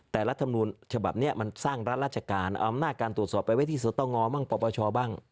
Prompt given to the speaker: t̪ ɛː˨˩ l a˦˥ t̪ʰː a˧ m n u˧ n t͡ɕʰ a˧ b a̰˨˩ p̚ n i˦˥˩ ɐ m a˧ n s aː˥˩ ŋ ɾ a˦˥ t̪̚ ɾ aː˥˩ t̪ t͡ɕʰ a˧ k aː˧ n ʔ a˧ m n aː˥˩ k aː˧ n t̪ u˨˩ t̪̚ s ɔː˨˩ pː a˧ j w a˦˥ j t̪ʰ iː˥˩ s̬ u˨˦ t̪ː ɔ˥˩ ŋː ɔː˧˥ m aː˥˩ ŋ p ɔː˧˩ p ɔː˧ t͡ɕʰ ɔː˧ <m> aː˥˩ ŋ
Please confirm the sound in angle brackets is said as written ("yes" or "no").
no